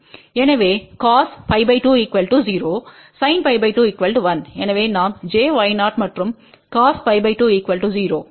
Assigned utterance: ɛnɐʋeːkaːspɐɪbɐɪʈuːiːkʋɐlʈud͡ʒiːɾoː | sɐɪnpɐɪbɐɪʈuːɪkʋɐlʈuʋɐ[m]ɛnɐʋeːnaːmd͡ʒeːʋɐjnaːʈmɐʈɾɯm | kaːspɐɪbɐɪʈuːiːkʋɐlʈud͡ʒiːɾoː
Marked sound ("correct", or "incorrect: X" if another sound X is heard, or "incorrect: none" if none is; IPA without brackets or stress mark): incorrect: n